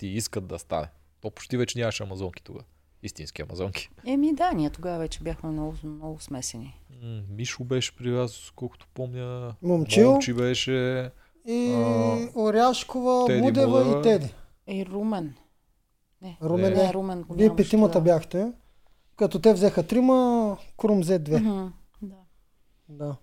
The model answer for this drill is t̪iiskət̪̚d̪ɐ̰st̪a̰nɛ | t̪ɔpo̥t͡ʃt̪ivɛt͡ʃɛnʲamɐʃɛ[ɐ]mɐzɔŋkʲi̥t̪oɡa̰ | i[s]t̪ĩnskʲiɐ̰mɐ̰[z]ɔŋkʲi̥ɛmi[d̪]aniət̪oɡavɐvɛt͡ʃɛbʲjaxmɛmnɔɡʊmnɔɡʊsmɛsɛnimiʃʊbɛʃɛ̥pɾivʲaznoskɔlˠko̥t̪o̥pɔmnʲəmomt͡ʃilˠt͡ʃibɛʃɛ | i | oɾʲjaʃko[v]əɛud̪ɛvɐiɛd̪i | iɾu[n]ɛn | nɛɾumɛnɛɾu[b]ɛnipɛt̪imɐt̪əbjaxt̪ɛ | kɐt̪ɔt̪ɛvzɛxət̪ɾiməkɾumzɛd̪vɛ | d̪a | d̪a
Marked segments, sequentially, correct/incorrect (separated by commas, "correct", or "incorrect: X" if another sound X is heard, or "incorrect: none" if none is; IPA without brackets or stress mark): correct, correct, correct, correct, correct, incorrect: m, incorrect: m